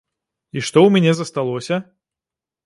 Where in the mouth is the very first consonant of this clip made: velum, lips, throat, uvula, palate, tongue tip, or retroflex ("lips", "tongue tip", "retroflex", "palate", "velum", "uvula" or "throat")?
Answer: retroflex